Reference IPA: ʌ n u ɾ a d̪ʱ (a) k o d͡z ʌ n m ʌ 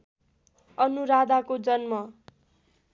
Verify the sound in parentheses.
correct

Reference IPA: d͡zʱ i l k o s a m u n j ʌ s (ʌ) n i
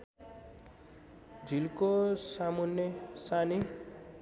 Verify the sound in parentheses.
incorrect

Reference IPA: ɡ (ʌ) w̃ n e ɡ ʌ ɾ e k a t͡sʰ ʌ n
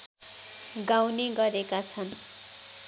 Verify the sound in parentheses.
incorrect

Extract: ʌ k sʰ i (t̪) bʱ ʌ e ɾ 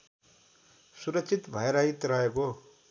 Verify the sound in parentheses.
correct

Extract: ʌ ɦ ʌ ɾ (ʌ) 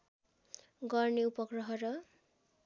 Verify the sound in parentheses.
correct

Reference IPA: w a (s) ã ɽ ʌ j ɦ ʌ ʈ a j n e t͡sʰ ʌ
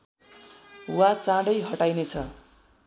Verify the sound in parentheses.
incorrect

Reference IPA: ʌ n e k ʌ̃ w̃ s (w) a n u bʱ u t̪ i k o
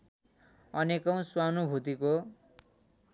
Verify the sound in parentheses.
correct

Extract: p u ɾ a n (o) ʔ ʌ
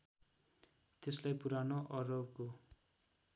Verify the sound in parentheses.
correct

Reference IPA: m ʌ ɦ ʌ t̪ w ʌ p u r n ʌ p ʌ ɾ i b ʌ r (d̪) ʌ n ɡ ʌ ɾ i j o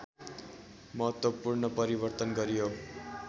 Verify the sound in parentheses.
incorrect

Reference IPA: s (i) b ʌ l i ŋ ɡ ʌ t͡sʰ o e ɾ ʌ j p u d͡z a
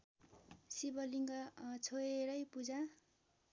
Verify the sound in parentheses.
correct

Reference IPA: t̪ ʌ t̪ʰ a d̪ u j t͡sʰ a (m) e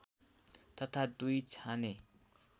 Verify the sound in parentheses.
incorrect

